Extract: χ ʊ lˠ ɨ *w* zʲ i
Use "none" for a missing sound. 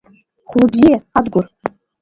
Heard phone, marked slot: b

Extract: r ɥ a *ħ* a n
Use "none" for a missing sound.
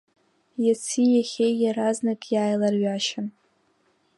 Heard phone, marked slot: ʃ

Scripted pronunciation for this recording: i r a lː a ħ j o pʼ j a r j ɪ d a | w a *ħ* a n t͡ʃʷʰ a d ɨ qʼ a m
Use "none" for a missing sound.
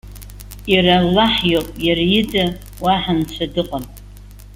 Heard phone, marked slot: ħ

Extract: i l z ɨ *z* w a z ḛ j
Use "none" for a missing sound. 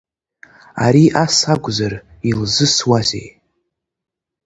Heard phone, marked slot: s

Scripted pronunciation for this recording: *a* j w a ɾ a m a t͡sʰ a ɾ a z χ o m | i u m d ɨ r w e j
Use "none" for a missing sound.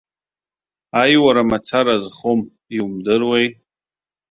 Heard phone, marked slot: a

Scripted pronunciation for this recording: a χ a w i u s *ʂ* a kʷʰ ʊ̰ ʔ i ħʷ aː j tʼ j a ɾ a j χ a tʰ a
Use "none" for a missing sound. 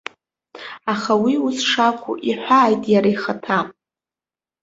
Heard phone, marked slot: ʂ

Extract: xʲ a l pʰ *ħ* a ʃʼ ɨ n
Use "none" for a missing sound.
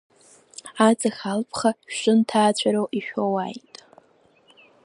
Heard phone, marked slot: χ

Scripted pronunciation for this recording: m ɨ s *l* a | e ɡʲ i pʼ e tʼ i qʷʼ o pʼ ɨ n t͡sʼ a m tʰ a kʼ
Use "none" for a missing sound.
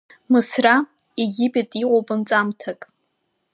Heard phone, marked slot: r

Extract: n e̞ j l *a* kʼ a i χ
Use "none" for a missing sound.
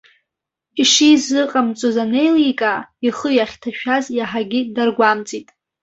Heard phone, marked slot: i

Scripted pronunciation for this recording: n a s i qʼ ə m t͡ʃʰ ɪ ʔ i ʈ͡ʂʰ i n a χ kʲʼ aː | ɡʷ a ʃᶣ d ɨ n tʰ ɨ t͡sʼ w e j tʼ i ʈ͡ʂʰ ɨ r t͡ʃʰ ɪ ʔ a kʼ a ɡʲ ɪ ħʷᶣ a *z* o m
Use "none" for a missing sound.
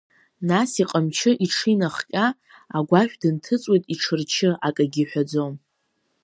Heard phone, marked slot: d͡z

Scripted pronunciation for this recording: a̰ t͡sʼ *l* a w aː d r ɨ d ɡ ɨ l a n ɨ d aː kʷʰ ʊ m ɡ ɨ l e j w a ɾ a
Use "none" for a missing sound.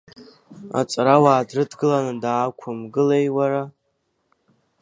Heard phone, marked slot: ɾ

